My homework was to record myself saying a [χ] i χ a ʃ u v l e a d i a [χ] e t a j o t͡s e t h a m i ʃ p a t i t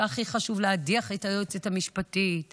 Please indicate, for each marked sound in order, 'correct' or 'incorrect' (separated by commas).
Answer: correct, correct